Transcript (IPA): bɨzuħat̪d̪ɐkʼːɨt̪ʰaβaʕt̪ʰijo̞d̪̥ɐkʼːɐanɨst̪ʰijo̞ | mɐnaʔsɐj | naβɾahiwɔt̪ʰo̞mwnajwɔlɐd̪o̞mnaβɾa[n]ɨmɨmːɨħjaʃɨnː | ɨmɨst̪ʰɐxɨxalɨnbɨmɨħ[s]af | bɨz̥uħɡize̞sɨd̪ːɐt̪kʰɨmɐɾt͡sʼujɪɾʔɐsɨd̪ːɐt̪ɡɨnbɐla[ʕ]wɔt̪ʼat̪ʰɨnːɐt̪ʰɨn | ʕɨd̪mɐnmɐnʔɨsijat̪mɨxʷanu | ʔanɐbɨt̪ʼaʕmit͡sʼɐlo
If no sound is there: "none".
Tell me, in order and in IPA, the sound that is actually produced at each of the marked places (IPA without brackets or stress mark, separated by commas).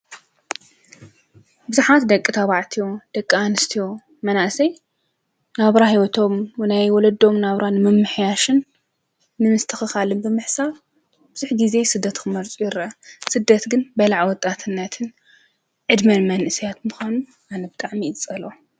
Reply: n, s, ʕ